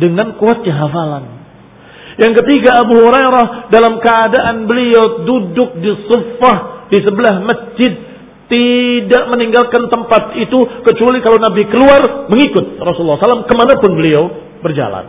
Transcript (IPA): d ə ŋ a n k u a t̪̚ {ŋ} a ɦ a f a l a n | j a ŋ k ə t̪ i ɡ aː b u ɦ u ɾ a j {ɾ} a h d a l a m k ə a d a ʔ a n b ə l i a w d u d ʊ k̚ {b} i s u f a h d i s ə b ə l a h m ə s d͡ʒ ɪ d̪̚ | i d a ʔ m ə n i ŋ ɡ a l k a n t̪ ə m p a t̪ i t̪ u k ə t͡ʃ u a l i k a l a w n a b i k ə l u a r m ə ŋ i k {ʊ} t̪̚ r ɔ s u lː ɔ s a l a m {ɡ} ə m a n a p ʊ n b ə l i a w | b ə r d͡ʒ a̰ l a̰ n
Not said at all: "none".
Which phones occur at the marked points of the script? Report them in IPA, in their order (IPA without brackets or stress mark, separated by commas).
ɲ, ɾ, d, ʊ, k